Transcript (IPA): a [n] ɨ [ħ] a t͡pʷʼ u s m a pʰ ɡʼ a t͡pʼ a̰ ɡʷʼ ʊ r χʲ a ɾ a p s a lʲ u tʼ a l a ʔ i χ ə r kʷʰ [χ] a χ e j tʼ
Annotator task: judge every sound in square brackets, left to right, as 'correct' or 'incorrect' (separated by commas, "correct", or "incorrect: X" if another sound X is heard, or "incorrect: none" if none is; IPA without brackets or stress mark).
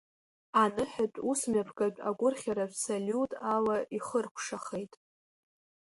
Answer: correct, correct, incorrect: ʂ